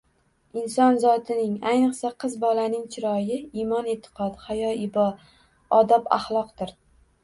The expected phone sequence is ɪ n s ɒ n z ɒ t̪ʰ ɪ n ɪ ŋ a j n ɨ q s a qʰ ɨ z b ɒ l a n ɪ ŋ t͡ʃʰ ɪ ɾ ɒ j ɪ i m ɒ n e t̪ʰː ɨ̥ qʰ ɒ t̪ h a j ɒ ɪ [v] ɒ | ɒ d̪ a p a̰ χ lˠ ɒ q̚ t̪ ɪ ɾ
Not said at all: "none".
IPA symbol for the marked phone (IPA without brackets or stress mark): b